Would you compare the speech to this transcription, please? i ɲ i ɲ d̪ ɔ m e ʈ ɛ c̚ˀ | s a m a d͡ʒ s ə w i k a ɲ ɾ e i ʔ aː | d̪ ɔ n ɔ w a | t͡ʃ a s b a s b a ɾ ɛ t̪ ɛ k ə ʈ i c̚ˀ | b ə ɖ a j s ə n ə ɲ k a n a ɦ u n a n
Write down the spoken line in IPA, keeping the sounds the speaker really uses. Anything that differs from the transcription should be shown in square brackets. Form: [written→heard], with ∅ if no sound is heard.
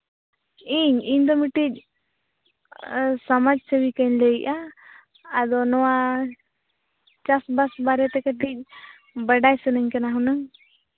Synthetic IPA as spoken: i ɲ i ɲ d̪ ɔ m [e→i] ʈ [ɛ→i] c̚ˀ | s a m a d͡ʒ s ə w i k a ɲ [ɾ→l] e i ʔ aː | d̪ ɔ n ɔ w a | t͡ʃ a s b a s b a ɾ ɛ t̪ ɛ k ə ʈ i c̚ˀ | b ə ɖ a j s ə n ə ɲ k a n a ɦ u n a [n→ŋ]